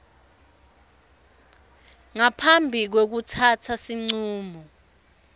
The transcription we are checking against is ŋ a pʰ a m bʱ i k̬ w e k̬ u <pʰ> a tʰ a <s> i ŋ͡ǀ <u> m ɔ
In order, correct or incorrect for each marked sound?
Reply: incorrect: tʰ, correct, incorrect: uː

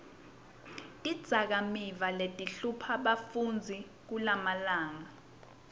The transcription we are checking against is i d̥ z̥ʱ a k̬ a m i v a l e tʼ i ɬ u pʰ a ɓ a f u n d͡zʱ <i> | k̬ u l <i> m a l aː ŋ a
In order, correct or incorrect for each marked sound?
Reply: correct, incorrect: a

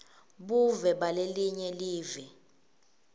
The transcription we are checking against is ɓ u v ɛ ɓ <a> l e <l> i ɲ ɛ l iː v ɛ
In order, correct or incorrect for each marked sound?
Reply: correct, correct

